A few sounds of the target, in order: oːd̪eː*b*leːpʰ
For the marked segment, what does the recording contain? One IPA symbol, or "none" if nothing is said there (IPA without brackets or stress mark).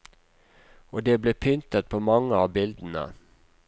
b